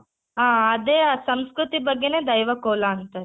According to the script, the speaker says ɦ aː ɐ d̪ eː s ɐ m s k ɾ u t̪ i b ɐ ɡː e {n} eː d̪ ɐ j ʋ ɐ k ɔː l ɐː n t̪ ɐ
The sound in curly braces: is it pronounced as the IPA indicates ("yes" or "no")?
yes